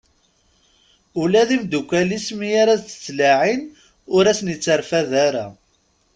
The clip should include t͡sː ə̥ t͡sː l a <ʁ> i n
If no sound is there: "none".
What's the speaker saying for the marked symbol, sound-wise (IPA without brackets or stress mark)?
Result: ʕ